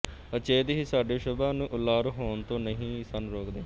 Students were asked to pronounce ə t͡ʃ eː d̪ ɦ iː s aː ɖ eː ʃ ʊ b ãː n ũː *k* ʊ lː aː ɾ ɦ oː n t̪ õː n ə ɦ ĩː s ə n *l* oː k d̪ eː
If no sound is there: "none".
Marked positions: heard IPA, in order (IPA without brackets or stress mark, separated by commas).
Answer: ʔ, ɾ